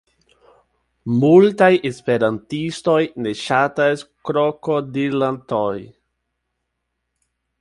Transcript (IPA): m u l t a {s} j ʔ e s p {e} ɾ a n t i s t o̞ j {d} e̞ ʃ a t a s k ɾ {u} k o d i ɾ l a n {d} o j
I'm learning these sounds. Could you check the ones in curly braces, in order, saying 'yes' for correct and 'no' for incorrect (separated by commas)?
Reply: no, yes, no, no, no